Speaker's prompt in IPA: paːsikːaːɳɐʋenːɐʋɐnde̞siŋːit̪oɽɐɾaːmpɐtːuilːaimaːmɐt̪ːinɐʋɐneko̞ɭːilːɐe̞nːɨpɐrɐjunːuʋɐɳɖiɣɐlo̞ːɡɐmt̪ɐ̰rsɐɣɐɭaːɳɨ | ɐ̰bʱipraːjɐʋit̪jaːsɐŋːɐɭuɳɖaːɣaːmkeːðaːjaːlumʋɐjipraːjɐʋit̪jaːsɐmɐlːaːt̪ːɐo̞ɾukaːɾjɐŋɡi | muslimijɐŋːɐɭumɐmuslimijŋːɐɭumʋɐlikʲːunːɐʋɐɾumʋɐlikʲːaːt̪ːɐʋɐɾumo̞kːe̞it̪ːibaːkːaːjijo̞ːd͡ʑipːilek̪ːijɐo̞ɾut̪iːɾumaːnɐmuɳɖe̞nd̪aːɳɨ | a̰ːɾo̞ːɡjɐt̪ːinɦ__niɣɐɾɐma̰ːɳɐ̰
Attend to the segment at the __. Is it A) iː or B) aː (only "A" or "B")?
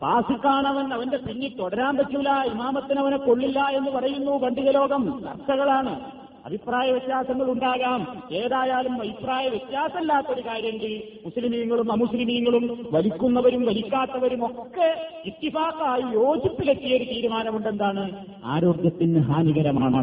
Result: B